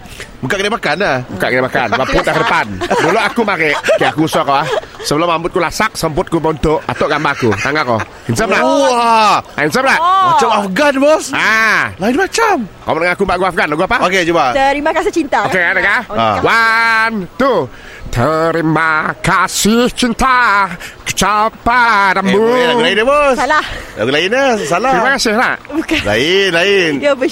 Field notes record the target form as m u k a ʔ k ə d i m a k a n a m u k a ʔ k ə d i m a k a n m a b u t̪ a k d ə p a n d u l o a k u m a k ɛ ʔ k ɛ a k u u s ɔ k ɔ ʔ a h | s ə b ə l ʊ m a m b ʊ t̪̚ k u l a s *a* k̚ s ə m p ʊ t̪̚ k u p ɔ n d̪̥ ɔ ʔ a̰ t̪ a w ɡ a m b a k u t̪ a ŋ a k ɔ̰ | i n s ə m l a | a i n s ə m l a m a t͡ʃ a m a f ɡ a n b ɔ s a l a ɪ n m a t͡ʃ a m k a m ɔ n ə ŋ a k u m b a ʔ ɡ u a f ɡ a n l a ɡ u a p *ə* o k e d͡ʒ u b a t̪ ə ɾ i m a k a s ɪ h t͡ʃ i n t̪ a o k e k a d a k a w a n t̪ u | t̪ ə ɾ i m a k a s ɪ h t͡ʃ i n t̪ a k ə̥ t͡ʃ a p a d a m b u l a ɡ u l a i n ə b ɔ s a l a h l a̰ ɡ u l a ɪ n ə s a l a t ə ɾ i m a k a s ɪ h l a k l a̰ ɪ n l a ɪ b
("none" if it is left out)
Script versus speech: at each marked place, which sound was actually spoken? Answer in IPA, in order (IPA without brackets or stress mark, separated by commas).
a, a